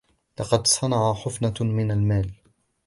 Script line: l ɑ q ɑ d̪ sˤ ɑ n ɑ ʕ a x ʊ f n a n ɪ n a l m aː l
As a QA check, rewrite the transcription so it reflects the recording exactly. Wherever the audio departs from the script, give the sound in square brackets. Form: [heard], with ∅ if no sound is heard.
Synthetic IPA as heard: l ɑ q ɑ d̪ sˤ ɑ n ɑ ʕ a [ħ] ʊ f n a [m] ɪ n a l m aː l